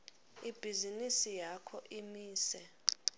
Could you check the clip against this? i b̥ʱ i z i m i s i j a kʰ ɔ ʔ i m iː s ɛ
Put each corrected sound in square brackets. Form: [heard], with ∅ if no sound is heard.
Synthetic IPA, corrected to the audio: i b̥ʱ i z i [n] i s i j a kʰ ɔ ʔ i m iː s ɛ